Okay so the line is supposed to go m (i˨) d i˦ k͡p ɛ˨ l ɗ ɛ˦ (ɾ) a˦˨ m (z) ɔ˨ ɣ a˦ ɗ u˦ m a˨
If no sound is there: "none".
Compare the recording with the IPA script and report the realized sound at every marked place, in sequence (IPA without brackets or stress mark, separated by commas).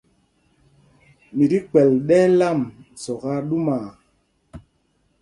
i˨, l, s